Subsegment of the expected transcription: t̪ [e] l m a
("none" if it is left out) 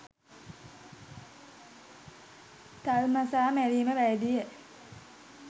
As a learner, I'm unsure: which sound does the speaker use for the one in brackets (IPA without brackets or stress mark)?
a